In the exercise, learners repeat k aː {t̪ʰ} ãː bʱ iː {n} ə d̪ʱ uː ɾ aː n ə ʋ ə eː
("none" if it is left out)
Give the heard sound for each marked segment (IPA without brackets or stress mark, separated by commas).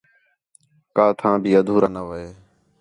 t̪ʰ, none